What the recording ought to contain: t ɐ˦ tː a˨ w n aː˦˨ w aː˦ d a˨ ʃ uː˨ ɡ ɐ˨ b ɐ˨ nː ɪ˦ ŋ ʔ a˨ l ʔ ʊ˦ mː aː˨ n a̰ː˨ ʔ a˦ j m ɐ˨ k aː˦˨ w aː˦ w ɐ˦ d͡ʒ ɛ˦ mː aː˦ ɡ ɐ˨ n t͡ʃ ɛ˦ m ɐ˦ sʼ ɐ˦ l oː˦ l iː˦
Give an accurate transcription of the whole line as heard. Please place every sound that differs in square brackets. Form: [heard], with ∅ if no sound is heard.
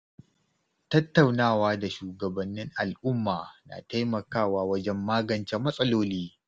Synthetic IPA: t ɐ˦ tː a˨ w n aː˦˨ w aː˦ d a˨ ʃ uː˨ ɡ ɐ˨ b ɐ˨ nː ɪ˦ ŋ ʔ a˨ l ʔ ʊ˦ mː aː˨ n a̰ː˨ [t] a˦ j m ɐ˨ k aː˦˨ w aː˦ w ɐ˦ d͡ʒ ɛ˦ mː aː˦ ɡ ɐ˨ n t͡ʃ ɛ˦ m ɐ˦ sʼ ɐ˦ l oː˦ l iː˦